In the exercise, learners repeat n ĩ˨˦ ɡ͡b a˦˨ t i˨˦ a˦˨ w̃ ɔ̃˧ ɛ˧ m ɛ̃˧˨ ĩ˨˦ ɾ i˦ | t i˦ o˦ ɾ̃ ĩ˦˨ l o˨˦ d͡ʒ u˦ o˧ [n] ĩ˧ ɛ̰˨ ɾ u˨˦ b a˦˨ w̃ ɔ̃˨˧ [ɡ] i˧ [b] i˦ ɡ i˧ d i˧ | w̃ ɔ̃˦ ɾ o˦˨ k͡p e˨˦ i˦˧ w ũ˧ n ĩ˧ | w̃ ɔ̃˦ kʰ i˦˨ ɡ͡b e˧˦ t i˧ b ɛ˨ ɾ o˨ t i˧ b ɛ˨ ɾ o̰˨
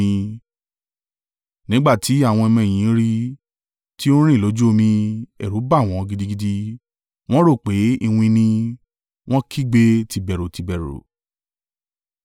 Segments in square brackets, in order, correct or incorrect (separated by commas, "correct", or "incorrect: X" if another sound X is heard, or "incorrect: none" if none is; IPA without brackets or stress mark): incorrect: m, correct, incorrect: d